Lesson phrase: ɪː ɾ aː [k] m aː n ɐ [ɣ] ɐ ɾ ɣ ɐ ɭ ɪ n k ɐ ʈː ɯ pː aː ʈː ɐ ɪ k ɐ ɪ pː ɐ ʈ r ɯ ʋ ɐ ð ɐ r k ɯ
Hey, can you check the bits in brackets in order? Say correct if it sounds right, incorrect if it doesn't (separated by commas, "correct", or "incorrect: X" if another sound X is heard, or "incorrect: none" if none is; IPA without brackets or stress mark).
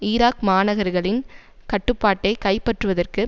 correct, correct